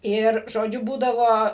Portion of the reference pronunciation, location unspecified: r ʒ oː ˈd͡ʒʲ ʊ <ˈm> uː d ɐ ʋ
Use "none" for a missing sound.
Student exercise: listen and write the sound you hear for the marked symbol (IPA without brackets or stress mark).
b